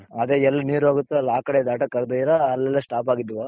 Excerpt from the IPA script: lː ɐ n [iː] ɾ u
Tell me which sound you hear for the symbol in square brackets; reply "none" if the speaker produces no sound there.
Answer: iː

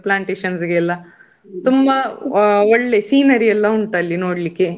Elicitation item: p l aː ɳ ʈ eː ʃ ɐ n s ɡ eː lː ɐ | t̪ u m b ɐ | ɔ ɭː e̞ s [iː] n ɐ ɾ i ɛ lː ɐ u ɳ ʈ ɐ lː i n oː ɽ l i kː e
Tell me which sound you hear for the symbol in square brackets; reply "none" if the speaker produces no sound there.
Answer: iː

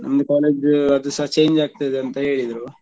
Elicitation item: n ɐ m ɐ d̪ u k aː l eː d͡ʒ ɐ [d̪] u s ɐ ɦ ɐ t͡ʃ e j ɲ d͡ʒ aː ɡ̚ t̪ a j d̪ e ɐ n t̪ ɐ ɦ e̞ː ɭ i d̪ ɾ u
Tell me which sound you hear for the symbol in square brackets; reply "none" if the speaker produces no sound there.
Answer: d̪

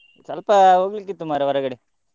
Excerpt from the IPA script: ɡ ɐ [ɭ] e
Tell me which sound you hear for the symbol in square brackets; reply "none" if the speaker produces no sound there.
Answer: ɽ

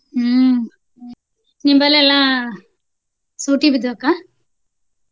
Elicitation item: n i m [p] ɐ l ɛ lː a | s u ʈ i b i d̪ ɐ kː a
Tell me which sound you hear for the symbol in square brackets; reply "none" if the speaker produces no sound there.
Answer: b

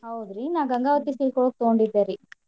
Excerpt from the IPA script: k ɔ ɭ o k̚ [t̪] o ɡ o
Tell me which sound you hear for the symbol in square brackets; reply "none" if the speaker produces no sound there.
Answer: t̪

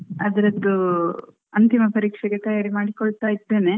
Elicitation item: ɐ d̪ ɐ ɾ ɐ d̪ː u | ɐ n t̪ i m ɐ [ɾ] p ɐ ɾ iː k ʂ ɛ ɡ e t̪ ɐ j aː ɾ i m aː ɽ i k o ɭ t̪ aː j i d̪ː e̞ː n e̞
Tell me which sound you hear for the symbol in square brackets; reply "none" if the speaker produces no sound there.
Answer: none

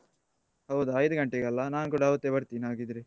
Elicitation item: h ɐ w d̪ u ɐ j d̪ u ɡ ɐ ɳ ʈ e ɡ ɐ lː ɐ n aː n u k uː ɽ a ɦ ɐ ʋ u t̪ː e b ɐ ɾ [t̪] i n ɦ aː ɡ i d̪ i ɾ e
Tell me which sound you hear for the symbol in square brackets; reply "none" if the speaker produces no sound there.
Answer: t̪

